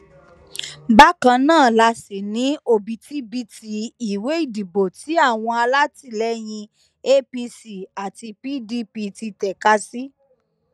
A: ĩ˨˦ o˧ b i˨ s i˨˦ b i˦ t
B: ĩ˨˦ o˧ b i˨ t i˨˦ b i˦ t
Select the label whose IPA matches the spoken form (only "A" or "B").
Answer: B